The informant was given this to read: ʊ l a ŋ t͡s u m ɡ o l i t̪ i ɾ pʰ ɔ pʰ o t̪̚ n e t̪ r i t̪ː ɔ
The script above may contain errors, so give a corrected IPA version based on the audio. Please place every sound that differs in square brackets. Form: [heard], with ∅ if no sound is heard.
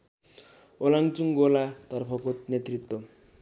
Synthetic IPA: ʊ l a ŋ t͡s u [ŋ] ɡ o l [a] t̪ [a] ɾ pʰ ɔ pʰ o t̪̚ n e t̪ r i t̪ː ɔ